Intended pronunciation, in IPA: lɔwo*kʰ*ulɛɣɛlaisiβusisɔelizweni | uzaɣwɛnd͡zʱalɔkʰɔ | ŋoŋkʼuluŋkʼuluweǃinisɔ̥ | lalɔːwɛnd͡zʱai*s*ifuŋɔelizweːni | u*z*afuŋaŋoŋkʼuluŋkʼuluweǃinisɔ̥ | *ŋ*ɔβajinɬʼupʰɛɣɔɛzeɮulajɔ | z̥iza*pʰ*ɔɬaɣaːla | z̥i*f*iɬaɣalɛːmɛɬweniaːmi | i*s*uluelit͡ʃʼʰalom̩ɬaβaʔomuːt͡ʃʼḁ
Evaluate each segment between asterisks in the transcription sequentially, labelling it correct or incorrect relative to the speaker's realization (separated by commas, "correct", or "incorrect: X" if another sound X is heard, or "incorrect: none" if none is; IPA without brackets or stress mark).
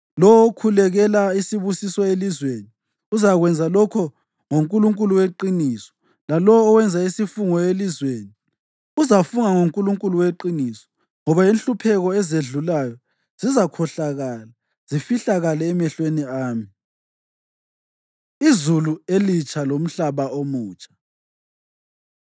correct, correct, correct, correct, incorrect: kʰ, correct, incorrect: z